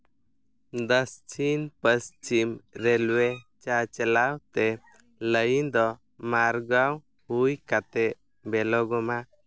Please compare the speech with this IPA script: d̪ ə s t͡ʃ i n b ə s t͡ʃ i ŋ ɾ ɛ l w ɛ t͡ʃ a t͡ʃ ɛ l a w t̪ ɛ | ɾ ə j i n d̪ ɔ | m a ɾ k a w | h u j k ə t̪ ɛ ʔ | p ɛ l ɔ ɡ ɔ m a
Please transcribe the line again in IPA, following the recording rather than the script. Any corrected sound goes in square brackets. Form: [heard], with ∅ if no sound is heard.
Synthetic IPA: d̪ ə s t͡ʃ i n [p] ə s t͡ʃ i [m] ɾ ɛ l w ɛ t͡ʃ a t͡ʃ ɛ l a w t̪ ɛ | [l] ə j i n d̪ ɔ | m a ɾ [ɡ] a w | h u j k [a] t̪ ɛ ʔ | [b] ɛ l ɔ ɡ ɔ m a